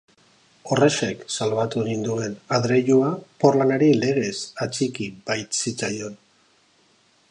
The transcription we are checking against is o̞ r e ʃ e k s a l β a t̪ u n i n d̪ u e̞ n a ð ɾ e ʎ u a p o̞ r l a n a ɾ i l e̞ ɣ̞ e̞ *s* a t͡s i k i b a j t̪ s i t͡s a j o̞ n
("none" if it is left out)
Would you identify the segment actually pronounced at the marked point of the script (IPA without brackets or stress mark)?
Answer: s